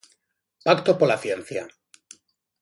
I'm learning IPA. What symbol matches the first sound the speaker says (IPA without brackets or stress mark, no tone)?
p